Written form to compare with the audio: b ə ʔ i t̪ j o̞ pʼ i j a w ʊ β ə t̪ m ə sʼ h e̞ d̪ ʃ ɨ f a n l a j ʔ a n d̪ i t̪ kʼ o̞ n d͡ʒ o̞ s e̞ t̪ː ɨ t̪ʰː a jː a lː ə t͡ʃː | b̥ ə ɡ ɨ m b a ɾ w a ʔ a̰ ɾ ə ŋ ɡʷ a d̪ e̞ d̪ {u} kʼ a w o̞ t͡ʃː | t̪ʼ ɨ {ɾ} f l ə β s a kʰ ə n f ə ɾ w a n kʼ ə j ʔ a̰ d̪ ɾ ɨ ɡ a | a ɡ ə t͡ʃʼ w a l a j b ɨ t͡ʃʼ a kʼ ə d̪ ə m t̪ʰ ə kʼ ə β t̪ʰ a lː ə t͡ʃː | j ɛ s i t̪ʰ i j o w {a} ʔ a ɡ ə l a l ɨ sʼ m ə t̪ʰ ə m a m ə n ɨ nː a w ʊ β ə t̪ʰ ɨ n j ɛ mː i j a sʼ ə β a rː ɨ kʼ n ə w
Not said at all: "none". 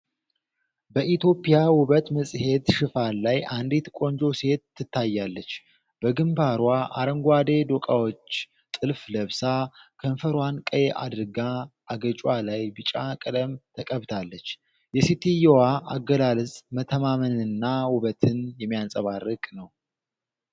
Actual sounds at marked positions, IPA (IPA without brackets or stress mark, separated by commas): o, l, a